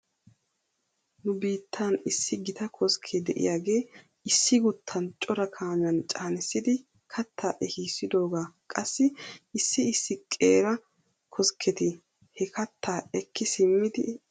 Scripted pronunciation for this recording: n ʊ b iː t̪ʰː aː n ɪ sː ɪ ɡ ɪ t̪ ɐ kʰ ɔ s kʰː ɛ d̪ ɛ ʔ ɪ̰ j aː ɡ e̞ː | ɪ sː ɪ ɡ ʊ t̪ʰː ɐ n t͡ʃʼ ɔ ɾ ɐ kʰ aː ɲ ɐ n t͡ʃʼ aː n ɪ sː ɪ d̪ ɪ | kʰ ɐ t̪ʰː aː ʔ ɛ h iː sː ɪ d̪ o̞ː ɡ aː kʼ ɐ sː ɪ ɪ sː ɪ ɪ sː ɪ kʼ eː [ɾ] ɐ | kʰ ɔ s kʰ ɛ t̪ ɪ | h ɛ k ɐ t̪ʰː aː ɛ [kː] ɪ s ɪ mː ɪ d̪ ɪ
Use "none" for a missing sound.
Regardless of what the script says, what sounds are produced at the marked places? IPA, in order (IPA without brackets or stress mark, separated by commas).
ɾ, kː